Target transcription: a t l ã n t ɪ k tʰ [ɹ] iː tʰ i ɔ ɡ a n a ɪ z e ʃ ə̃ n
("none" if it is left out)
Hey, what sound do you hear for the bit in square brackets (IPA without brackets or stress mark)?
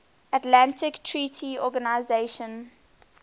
ɹ